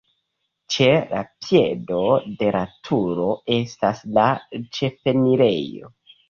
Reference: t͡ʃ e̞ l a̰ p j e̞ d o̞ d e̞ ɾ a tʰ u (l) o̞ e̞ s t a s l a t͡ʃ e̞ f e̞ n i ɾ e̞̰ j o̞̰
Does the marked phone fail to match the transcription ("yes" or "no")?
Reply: yes